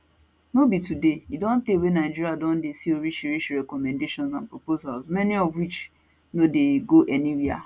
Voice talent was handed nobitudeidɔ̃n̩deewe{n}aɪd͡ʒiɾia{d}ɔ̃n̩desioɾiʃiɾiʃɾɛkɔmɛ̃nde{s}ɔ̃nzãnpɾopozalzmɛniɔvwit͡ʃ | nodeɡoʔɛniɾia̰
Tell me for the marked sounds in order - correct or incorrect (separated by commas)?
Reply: correct, correct, incorrect